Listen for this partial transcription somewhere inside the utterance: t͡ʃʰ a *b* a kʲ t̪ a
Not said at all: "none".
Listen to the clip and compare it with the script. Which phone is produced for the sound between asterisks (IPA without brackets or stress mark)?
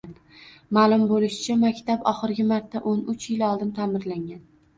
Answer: m